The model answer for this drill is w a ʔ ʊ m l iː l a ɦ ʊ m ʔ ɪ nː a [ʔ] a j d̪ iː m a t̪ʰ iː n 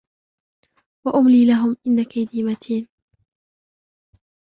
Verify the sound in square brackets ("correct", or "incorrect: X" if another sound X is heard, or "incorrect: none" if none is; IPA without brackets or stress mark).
incorrect: k